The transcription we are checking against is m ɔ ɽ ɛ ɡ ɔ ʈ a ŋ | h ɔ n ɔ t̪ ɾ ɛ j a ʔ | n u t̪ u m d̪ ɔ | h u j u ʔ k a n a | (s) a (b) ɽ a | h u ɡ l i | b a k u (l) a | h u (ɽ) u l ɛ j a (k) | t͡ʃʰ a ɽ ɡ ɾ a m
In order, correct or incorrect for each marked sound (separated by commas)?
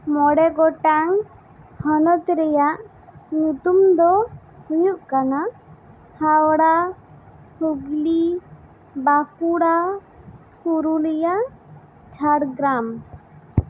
incorrect, incorrect, incorrect, incorrect, incorrect